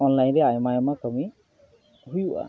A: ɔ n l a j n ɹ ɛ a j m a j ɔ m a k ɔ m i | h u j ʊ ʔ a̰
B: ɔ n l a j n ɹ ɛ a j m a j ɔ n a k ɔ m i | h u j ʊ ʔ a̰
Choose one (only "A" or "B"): A